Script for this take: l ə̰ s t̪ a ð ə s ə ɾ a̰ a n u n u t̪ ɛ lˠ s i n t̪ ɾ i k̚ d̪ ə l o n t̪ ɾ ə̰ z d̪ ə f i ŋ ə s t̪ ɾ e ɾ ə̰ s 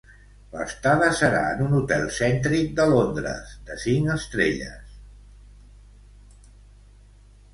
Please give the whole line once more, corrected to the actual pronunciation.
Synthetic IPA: l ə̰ s t̪ a ð ə s ə ɾ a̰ ə n u n u t̪ ɛ lˠ s ɛ n t̪ ɾ i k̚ d̪ ə l o n d̪ ɾ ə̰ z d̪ ə s i ŋ ə s t̪ ɾ e ʎ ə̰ s